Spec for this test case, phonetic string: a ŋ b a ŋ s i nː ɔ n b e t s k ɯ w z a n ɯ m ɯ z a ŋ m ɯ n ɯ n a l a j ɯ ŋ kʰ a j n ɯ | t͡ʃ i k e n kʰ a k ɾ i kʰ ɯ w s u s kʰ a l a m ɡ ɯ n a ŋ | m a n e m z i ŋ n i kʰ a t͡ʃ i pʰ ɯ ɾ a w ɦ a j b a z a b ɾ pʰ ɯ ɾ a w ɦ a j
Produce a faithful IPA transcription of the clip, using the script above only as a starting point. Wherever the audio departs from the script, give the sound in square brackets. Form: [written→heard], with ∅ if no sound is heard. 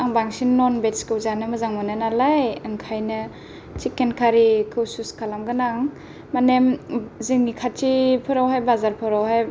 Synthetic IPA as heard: a ŋ b a ŋ s i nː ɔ n b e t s k ɯ w z a n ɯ m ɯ z a ŋ m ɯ n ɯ n a l a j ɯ ŋ kʰ a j n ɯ | t͡ʃ i k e n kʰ a [k→∅] ɾ i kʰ ɯ w s u s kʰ a l a m ɡ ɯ n a ŋ | m a n e m z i ŋ n i kʰ a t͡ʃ i pʰ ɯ ɾ a w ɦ a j b a z a [b→∅] ɾ pʰ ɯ ɾ a w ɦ a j